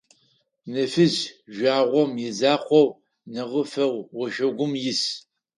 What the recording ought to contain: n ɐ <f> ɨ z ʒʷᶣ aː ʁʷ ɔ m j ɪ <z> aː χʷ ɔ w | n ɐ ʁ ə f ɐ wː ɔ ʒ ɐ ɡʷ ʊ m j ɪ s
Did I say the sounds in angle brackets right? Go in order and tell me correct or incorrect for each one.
correct, correct

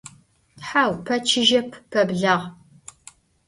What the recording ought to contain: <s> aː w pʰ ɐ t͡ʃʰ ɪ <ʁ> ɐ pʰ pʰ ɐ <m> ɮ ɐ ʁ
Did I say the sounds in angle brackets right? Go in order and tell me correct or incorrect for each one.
incorrect: ħ, incorrect: ʒ, incorrect: b

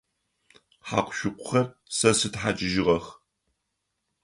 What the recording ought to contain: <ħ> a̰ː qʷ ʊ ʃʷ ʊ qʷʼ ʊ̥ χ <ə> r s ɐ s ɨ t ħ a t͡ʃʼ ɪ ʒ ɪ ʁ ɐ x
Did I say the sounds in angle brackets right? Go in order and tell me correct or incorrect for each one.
correct, incorrect: ɐ

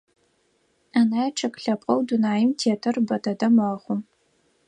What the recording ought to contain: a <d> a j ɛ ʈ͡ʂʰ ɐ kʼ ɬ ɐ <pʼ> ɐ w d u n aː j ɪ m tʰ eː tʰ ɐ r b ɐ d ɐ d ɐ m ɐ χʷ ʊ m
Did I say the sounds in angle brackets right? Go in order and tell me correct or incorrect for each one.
incorrect: n, correct

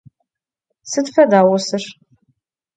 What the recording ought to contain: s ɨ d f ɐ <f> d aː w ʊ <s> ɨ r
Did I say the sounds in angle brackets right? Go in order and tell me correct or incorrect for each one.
incorrect: none, correct

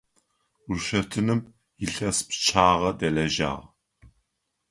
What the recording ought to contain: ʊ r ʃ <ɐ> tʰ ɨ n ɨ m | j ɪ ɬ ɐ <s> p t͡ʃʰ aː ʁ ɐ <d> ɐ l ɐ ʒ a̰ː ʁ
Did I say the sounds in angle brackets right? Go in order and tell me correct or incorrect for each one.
correct, correct, correct

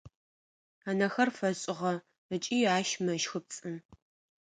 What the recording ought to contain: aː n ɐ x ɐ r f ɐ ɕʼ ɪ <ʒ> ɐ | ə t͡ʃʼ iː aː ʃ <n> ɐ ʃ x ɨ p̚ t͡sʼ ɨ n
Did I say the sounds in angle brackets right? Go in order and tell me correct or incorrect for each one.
incorrect: ʁ, incorrect: m

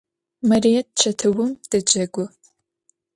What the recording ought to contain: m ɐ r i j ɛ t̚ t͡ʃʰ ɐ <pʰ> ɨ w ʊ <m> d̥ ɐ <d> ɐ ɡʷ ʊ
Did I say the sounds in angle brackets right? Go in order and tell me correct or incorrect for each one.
incorrect: tʰ, correct, incorrect: d͡ʒ

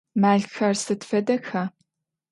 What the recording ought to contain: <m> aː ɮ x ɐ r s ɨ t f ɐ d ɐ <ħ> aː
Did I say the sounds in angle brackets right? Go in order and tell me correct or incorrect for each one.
correct, incorrect: x

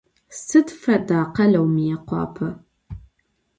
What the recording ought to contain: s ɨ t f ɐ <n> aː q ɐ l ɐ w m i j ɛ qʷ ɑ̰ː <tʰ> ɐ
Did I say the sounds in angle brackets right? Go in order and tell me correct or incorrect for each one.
incorrect: d, incorrect: pʰ

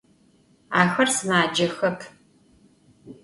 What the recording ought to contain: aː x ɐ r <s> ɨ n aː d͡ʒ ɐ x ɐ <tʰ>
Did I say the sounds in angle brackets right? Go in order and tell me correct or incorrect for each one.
correct, incorrect: pʰ

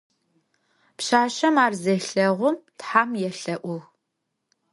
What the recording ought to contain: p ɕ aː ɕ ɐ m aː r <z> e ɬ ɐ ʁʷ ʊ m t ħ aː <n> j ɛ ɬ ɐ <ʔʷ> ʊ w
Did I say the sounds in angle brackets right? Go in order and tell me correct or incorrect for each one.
correct, incorrect: m, correct

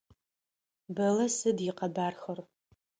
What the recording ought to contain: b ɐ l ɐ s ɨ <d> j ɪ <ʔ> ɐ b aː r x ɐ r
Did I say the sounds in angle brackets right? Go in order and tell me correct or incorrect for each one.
correct, incorrect: q

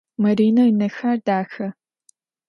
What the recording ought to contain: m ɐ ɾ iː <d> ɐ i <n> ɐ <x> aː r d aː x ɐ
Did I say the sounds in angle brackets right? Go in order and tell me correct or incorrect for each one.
incorrect: n, correct, correct

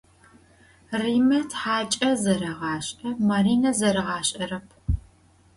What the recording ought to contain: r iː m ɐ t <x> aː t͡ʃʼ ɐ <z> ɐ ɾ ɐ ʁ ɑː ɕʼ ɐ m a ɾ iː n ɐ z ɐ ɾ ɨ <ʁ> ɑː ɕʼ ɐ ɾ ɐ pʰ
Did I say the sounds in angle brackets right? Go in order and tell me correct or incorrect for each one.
incorrect: ħ, correct, correct

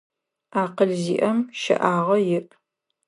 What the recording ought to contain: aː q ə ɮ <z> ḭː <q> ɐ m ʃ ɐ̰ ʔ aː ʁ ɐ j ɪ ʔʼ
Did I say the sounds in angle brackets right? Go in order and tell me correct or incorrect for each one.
correct, incorrect: ʔ

